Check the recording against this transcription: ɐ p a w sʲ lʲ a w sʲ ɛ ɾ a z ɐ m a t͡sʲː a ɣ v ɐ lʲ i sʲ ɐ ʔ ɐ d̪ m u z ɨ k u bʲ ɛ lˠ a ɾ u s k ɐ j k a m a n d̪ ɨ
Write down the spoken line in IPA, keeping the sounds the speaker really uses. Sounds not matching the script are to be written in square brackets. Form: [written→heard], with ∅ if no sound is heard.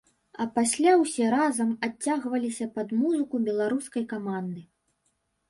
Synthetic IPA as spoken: ɐ p a [w→∅] sʲ lʲ a w sʲ ɛ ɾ a z ɐ m a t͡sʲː a ɣ v ɐ lʲ i sʲ ɐ [ʔ→p] ɐ d̪ m u z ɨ k u bʲ ɛ lˠ a ɾ u s k ɐ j k a m a n d̪ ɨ